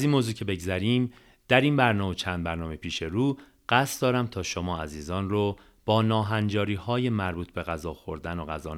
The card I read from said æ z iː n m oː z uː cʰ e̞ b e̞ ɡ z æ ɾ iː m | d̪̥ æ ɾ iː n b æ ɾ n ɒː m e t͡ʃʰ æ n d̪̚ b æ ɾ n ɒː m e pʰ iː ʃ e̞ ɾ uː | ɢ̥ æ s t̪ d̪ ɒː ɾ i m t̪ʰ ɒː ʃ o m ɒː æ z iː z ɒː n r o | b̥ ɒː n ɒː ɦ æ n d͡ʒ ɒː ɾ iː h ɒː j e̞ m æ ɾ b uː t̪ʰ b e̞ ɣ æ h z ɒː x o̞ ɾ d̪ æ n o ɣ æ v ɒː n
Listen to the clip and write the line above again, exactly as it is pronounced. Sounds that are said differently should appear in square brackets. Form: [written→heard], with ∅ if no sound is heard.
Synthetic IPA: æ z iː n m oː z uː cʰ e̞ b e̞ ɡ z æ ɾ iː m | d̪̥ æ ɾ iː n b æ ɾ n ɒː m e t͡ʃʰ æ n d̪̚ b æ ɾ n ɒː m e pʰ iː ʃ e̞ ɾ uː | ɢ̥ æ s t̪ d̪ ɒː ɾ [i→æ] m t̪ʰ ɒː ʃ o m ɒː æ z iː z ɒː n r o | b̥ ɒː n ɒː ɦ æ n d͡ʒ ɒː ɾ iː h ɒː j e̞ m æ ɾ b uː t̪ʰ b e̞ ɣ æ [h→∅] z ɒː x o̞ ɾ d̪ æ n o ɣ æ [v→z] ɒː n